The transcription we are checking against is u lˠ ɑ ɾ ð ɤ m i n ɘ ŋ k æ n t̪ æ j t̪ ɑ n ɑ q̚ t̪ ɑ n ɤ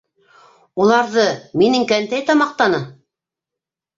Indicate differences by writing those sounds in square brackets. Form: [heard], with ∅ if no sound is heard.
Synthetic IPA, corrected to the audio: u lˠ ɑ ɾ ð ɤ m i n ɘ ŋ k æ n t̪ æ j t̪ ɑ [m] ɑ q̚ t̪ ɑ n ɤ